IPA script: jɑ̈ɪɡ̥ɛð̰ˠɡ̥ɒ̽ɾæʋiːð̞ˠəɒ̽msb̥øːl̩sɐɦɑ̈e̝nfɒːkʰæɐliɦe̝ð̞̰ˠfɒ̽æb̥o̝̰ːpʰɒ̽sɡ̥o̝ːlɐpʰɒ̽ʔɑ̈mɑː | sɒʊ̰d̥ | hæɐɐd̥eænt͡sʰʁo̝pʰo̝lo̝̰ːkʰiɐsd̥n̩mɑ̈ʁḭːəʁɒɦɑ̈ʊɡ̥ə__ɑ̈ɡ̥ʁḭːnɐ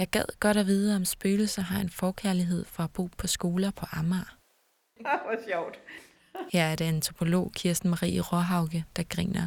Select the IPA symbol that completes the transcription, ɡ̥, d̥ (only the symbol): d̥